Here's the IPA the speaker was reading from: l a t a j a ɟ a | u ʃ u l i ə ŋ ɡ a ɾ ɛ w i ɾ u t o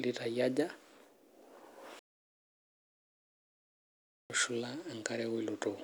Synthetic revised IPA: l i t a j a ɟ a | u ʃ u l a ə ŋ k a ɾ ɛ w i l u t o